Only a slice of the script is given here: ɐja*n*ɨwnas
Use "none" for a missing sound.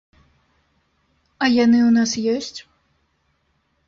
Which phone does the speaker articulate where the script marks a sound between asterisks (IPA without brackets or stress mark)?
n